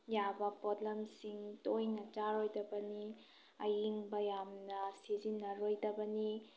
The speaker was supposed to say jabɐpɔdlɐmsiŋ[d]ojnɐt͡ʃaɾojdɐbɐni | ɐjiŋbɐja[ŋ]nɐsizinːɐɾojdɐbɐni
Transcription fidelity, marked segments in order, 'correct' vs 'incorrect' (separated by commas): incorrect, incorrect